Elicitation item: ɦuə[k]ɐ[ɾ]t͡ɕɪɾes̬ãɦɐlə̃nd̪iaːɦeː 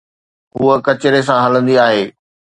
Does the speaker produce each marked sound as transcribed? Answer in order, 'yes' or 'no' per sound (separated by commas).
yes, no